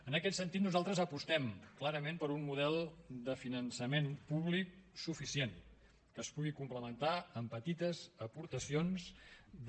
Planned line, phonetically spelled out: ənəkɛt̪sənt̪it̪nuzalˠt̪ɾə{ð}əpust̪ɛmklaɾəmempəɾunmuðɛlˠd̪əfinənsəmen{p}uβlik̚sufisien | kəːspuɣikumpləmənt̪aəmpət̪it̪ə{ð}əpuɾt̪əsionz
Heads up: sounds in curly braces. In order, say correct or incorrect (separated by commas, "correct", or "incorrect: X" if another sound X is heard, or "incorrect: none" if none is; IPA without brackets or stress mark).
incorrect: z, correct, incorrect: z